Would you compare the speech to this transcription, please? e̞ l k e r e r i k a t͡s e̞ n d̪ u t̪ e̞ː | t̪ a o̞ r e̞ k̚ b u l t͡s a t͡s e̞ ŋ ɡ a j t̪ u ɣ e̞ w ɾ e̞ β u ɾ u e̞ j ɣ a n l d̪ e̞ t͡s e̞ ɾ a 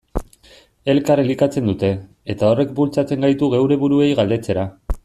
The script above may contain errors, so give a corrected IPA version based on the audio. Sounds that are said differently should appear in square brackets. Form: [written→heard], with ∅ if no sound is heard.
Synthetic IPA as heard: e̞ l k [e→a] r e [r→l] i k a t͡s e̞ n d̪ u t̪ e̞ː | t̪ a o̞ r e̞ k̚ b u l t͡s a t͡s e̞ ŋ ɡ a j t̪ u ɣ e̞ w ɾ e̞ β u ɾ u e̞ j ɣ a [n→∅] l d̪ e̞ t͡s e̞ ɾ a